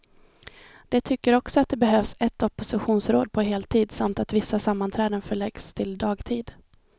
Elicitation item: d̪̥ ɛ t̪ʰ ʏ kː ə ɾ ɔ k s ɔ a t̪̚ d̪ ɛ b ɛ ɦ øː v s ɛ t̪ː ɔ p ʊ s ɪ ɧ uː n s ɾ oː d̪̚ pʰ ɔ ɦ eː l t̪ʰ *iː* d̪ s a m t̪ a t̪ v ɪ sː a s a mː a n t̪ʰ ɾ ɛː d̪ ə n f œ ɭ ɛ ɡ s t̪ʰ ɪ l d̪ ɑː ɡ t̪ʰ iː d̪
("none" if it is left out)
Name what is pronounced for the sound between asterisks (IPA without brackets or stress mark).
iː